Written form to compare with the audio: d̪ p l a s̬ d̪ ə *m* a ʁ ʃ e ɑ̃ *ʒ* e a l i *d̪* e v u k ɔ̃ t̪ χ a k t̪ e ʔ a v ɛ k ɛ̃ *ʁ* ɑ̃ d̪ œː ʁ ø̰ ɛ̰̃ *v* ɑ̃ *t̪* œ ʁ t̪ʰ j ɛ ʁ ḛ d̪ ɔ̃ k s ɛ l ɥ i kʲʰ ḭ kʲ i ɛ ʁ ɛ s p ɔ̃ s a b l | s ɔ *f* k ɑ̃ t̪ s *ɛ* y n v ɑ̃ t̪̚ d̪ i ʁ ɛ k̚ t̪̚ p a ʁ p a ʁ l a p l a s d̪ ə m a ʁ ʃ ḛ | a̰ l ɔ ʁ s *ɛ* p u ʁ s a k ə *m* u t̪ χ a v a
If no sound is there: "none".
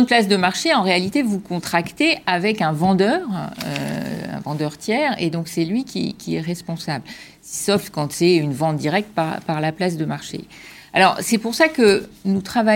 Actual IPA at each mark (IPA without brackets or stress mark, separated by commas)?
m, ʁ, t̪, v, v, d̪, f, ɛ, ɛ, n